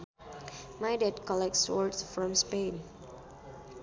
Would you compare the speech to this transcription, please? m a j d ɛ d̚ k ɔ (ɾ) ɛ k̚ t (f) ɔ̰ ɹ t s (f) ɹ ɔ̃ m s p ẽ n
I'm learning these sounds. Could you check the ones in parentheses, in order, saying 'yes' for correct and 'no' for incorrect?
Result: no, no, yes

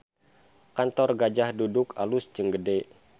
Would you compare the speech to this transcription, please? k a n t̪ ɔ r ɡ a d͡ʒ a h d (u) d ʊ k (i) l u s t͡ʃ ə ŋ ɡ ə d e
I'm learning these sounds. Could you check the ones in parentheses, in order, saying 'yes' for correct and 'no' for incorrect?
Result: yes, no

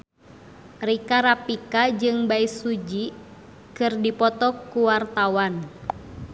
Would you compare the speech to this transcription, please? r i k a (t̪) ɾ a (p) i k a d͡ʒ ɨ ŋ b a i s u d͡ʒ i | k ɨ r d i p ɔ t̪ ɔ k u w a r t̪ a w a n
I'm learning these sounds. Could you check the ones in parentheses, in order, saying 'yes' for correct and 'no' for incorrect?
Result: no, yes

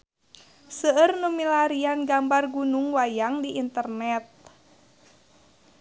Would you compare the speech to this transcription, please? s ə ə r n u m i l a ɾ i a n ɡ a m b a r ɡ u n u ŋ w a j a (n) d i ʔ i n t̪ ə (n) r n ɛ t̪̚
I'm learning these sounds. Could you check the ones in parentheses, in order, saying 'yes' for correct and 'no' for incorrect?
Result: no, no

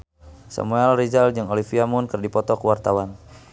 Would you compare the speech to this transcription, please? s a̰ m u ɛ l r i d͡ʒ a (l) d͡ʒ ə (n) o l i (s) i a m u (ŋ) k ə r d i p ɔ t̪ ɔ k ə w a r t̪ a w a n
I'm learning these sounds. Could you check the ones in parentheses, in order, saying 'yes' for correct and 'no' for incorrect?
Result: yes, no, no, no

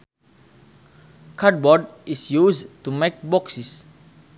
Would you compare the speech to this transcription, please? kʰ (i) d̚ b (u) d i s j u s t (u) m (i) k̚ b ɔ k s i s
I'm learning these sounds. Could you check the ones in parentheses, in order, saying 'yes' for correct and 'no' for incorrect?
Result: no, no, yes, no

